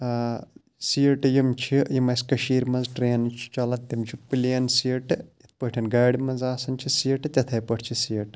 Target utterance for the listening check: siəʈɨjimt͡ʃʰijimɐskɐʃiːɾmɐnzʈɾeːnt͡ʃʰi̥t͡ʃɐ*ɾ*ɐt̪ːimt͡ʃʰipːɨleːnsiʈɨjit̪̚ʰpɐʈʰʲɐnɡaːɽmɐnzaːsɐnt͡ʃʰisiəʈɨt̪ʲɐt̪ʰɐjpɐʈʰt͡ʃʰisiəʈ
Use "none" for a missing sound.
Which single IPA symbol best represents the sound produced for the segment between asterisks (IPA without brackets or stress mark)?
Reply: l